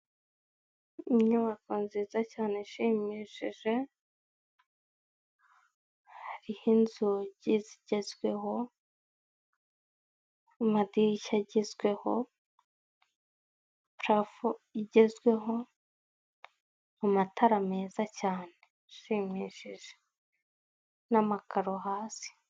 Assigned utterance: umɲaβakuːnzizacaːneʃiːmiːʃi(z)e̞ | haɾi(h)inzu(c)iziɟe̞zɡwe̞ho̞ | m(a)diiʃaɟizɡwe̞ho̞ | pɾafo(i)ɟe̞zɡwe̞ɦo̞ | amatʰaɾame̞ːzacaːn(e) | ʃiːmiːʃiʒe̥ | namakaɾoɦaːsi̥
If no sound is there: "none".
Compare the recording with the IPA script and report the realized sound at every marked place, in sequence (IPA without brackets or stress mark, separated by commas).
ʒ, h, ɟ, a, i, e